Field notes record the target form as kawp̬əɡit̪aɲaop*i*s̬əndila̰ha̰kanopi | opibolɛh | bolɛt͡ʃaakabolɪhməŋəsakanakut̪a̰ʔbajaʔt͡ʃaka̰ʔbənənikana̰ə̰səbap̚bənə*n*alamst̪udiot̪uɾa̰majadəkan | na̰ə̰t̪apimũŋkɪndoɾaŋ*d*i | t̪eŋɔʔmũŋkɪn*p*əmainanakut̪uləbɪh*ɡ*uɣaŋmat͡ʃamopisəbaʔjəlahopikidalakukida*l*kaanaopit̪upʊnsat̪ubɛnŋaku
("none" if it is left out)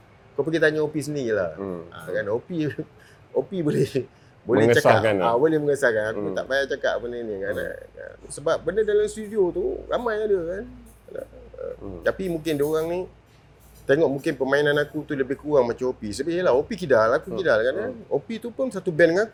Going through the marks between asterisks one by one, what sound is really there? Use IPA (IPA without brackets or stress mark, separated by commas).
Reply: i, d, n, p, k, l